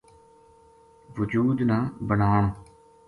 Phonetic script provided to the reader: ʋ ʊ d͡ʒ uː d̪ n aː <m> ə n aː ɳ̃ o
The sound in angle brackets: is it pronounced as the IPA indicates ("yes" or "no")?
no